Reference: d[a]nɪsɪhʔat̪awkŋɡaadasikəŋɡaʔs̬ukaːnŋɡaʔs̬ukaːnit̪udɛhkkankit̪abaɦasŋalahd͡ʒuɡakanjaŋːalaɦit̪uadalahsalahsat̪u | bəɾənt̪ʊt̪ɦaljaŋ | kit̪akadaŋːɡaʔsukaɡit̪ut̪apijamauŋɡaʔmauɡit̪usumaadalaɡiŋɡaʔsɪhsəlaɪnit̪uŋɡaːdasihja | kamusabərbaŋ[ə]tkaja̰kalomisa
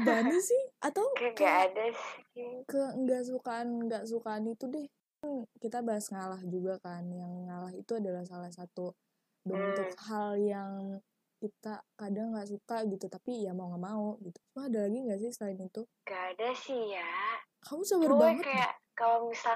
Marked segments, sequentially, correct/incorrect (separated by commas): correct, correct